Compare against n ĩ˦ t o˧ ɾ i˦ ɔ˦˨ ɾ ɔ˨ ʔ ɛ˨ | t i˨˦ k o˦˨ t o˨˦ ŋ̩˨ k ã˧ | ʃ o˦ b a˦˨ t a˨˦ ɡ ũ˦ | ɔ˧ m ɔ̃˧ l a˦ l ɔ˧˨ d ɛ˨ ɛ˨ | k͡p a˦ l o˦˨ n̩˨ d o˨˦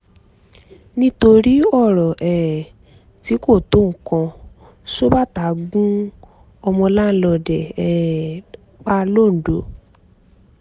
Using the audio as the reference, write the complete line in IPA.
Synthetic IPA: n ĩ˦ t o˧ ɾ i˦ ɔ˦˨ ɾ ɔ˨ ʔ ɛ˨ | t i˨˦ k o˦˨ t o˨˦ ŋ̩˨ k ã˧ | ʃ o˦ b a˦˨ t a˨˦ ɡ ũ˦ | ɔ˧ m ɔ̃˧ l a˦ l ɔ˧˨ d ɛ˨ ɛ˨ | k͡p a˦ l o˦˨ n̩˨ d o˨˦